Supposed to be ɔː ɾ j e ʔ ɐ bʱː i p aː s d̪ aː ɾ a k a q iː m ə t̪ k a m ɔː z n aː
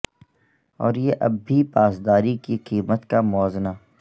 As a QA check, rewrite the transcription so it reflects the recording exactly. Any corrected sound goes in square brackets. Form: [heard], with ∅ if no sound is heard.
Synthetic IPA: ɔː ɾ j e ʔ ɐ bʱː i p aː s d̪ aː ɾ [i] k [i] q iː m ə t̪ k a m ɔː z n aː